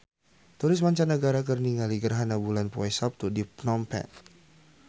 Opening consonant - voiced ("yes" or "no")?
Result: no